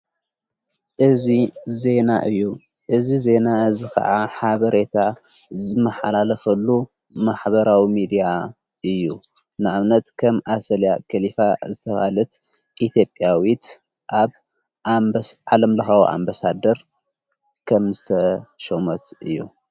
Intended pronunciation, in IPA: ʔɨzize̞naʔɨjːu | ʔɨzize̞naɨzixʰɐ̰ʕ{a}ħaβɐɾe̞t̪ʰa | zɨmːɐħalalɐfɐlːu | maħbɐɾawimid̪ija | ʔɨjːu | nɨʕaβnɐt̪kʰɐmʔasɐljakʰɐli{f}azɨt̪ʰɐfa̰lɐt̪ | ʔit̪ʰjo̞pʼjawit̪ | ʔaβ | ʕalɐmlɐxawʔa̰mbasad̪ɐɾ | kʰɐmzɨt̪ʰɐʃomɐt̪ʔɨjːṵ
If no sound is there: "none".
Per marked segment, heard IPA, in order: a, f

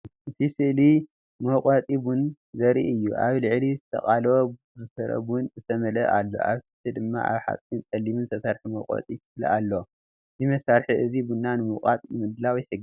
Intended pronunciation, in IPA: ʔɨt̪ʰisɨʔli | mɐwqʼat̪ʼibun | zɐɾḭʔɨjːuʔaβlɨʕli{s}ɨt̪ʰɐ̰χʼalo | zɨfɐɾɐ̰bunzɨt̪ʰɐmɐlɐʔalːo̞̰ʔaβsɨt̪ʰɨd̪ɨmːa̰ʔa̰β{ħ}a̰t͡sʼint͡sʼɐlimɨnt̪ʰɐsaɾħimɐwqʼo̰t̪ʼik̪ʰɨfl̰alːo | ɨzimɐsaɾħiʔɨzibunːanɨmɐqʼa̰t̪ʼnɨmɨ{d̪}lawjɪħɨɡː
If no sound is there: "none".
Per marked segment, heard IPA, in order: z, ħ, d̪

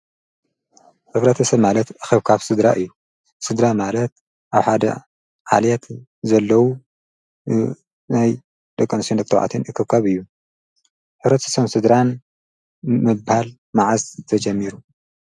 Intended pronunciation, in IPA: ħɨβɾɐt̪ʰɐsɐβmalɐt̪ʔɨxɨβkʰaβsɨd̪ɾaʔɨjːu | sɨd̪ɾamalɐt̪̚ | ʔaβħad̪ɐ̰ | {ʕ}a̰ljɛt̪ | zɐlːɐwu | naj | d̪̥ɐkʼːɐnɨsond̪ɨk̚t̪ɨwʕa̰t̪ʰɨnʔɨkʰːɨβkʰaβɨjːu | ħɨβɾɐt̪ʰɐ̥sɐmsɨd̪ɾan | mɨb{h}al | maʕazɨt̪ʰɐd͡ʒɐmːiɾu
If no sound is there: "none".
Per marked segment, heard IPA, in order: ʕ, h

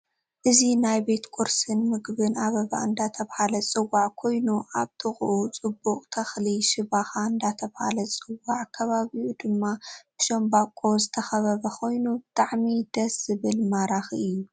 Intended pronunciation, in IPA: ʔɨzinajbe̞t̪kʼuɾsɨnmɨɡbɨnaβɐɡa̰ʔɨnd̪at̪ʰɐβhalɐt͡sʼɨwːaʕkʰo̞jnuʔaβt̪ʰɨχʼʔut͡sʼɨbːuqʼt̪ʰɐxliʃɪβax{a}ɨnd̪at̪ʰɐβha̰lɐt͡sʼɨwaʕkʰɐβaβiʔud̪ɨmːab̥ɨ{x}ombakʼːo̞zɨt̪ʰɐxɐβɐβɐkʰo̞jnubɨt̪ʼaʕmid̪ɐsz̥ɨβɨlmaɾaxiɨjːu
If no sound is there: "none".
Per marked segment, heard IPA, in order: a, ʃ

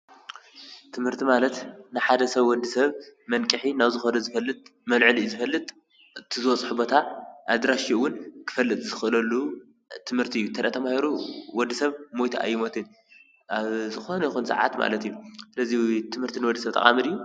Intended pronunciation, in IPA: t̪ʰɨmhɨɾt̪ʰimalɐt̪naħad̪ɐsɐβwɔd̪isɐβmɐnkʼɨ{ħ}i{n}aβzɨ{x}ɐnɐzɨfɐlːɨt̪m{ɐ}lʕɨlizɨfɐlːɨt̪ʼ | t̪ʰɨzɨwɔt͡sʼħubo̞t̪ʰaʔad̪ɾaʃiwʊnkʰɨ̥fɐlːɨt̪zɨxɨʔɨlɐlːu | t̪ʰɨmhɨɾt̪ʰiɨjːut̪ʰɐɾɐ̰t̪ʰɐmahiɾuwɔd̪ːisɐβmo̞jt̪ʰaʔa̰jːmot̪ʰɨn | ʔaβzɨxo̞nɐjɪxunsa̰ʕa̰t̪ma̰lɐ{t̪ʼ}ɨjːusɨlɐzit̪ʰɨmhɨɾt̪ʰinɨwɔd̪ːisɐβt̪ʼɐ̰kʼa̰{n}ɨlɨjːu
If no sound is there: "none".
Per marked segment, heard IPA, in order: ħ, n, x, ɐ, t̪, m

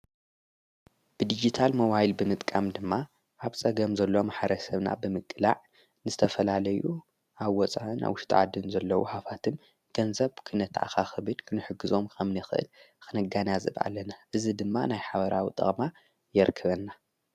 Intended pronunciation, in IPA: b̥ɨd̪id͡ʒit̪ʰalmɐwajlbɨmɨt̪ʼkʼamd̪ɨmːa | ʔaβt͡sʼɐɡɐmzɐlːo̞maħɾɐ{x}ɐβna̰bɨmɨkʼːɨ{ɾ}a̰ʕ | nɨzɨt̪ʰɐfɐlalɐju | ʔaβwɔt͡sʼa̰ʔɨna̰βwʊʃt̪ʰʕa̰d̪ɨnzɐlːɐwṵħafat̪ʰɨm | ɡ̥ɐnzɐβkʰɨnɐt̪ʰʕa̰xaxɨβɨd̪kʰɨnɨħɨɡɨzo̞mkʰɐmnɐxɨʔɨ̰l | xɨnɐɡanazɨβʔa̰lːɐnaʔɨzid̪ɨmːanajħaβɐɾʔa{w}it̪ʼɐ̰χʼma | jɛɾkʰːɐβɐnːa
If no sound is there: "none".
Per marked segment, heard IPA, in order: s, l, w

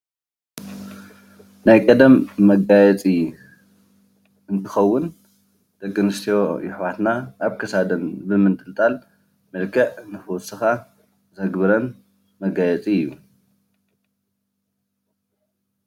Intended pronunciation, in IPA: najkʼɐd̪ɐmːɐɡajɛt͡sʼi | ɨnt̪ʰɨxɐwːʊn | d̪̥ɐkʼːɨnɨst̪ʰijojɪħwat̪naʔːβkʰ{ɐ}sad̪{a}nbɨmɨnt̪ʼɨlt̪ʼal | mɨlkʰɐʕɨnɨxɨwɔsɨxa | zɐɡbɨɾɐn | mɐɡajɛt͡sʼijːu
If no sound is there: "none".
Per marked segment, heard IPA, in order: ɐ, ɐ

